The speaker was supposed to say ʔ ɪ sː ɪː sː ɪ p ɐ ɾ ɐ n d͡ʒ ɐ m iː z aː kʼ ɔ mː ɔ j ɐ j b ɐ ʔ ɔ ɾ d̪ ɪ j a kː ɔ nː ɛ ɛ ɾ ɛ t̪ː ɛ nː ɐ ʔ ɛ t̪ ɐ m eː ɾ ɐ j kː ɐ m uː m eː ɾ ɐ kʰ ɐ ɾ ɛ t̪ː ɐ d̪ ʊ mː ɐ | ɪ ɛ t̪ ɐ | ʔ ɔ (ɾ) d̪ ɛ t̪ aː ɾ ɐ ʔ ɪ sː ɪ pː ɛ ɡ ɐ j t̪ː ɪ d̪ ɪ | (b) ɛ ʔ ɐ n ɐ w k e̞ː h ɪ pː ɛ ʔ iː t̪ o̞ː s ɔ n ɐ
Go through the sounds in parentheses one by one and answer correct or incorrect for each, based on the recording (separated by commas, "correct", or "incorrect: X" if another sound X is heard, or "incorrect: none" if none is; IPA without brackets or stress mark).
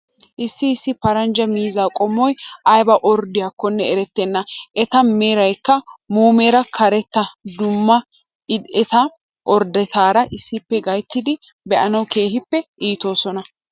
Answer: correct, correct